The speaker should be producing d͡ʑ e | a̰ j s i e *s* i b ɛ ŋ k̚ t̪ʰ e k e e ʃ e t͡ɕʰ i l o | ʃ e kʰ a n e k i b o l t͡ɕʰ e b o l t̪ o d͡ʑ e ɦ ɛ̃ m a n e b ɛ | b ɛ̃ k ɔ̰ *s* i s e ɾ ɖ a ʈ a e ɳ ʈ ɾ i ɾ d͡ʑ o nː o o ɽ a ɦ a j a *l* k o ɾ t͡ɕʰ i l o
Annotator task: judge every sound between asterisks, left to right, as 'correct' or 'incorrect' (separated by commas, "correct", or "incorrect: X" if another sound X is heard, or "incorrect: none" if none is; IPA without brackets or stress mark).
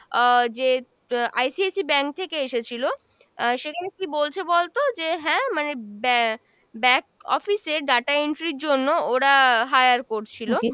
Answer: correct, incorrect: f, incorrect: ɾ